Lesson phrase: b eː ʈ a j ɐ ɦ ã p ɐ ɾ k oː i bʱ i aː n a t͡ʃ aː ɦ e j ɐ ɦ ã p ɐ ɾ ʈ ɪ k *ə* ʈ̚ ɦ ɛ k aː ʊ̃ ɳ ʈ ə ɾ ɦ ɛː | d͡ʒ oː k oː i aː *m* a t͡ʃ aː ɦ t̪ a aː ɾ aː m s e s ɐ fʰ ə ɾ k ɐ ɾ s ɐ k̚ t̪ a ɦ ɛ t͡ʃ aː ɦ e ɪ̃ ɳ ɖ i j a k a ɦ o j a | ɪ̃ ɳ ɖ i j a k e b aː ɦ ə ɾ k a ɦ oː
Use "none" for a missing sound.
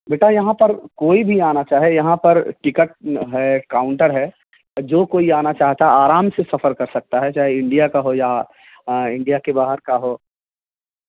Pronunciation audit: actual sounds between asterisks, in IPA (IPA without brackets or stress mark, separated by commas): ə, n